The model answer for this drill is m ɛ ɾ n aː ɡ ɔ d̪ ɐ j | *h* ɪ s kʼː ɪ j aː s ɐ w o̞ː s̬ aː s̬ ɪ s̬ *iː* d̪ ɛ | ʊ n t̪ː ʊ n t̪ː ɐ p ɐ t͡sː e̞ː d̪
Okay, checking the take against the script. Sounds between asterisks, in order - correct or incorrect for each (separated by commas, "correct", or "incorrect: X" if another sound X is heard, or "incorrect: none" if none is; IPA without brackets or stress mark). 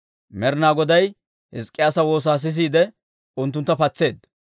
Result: correct, correct